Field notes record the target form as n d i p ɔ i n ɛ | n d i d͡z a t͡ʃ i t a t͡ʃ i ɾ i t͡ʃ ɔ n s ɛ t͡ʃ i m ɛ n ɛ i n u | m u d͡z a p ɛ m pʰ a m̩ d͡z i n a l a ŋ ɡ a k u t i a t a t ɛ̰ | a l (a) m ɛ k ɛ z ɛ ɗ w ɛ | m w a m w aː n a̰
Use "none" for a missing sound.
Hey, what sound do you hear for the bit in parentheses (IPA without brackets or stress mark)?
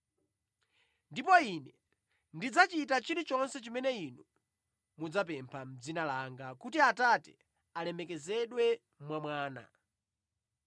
ɛ